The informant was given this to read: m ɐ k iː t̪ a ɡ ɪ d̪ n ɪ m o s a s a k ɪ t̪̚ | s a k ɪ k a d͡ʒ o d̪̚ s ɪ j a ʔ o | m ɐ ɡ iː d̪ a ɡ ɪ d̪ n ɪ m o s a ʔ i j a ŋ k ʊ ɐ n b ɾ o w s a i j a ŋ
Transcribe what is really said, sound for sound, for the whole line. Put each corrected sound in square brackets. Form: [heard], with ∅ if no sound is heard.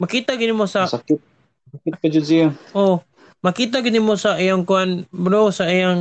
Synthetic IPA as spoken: m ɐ k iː t̪ a ɡ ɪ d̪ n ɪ m o s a s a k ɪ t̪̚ | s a k ɪ k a d͡ʒ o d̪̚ s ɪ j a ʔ o | m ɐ [k] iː [t̪] a ɡ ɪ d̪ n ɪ m o s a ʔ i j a ŋ k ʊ [a] n b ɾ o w s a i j a ŋ